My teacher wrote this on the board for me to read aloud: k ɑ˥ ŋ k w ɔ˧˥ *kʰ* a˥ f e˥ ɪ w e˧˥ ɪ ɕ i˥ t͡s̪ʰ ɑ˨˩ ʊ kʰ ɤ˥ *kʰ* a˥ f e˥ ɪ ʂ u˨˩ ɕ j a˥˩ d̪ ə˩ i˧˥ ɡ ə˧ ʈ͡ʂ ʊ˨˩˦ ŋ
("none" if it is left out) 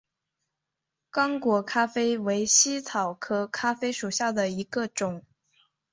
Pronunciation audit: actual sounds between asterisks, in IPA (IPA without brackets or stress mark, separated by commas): kʰ, kʰ